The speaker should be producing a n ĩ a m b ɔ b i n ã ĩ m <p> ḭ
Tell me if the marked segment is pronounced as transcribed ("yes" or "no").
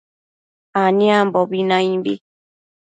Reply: no